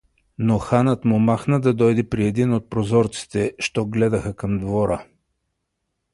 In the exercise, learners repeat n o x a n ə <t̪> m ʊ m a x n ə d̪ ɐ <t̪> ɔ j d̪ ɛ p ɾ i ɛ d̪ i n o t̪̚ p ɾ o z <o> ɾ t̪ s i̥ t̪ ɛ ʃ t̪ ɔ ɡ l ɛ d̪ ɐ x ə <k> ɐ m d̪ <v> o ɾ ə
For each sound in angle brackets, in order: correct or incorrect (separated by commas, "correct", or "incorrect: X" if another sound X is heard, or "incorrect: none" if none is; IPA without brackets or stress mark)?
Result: correct, incorrect: d̪, incorrect: ɔ, correct, correct